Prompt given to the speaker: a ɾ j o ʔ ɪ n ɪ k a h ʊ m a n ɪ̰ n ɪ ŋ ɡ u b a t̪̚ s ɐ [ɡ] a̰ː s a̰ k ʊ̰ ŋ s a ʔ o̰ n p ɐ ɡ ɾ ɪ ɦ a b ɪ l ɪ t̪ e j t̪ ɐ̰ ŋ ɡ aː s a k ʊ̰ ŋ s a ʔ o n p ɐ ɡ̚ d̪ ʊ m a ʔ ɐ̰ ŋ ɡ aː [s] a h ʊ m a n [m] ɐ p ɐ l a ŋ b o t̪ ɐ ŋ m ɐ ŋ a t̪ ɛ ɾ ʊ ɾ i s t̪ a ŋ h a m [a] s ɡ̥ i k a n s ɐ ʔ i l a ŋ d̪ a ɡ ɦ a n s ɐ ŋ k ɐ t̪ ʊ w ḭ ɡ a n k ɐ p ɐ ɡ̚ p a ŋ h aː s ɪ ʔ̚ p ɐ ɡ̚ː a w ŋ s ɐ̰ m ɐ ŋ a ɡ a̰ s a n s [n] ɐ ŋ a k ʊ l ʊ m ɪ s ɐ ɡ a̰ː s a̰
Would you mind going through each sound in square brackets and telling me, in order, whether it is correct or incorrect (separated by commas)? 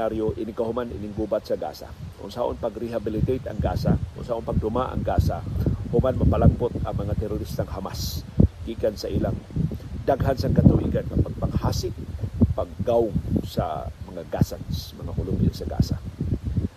correct, correct, correct, correct, incorrect